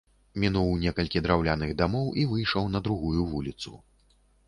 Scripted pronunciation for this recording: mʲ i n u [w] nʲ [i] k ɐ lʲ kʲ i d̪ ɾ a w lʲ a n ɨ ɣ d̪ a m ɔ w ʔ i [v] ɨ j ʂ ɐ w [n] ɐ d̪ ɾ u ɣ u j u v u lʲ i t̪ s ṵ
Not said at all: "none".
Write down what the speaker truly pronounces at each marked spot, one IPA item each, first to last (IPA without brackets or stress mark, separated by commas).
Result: w, ɛ, v, n